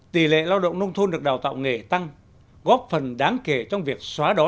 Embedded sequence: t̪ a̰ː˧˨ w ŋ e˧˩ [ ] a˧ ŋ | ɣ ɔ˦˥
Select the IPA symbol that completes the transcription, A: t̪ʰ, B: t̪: B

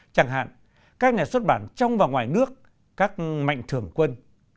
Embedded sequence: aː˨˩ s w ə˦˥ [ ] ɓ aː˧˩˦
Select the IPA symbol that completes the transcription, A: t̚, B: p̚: A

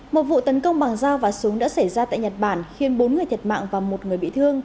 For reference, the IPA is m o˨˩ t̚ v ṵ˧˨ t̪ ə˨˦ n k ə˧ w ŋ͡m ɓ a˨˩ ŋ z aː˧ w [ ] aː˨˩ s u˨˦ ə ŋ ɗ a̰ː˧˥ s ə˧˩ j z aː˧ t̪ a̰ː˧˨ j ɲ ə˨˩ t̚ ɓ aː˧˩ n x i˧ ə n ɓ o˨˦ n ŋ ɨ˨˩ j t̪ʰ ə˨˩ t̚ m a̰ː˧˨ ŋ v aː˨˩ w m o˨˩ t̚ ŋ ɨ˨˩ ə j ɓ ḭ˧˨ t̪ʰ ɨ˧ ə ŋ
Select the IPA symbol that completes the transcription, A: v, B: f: A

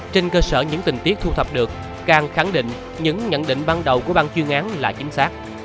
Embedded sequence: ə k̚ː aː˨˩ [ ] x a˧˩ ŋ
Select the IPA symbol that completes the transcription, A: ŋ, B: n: A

